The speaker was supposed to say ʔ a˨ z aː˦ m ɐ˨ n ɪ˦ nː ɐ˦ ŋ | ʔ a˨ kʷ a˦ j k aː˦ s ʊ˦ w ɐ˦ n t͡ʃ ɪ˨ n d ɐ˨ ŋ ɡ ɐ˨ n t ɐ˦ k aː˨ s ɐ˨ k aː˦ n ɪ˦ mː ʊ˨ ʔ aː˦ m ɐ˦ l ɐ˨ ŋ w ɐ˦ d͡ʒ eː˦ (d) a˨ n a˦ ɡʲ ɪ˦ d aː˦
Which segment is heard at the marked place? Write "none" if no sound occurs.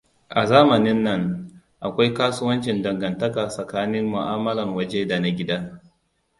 d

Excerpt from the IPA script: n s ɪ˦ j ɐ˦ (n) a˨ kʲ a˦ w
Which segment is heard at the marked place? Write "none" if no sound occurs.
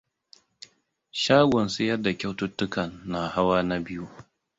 d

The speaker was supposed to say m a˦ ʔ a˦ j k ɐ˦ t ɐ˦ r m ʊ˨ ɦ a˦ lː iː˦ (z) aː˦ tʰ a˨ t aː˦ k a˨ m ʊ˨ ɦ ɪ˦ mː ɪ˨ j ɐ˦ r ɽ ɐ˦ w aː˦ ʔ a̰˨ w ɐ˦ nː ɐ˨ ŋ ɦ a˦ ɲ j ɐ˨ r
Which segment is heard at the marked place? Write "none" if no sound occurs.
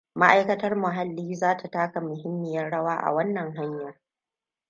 z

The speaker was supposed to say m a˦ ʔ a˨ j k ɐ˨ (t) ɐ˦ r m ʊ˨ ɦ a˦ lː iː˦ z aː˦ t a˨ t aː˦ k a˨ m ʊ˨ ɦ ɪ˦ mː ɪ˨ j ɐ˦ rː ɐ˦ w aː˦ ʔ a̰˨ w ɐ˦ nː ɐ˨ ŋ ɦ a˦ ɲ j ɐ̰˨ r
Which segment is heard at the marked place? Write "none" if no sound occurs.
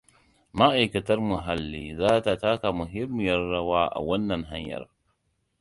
t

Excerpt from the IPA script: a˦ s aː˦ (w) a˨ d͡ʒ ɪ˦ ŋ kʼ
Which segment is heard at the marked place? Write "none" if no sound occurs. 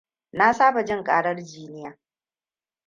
b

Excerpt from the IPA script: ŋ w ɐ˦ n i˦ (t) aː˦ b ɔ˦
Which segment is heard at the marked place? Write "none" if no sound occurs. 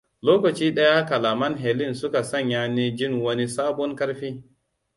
s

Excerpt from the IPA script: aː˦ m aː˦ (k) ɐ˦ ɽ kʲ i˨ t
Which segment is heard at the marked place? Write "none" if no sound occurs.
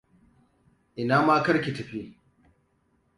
k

